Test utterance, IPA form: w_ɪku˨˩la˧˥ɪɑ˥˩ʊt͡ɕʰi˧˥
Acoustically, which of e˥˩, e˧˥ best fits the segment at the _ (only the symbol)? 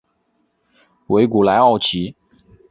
e˧˥